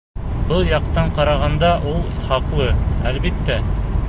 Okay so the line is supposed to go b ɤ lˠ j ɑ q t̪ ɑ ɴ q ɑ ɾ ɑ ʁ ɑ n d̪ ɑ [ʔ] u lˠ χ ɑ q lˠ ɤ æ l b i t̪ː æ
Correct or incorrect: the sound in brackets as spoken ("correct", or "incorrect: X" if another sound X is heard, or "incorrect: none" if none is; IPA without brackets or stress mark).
correct